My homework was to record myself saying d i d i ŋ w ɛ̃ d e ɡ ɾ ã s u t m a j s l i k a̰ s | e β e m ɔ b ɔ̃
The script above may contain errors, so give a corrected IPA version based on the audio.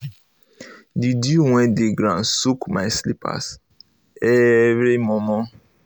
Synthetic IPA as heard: d i d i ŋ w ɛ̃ d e ɡ ɾ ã s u k m a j s l i p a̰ s | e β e m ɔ m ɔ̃